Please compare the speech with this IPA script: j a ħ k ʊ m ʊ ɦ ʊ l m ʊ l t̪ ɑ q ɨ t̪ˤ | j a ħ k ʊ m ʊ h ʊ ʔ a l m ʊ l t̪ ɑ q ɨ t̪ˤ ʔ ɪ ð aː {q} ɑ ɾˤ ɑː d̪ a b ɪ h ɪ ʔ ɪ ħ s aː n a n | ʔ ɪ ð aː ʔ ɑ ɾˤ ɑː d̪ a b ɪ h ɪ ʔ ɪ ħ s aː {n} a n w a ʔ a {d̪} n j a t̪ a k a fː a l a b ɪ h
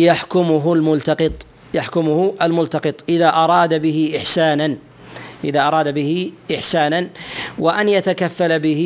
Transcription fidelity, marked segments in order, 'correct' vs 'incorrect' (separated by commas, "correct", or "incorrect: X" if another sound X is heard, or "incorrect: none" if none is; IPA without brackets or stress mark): incorrect: ʔ, correct, incorrect: none